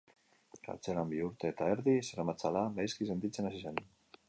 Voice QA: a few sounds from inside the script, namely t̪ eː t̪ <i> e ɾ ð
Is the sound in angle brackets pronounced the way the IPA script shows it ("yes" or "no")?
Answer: no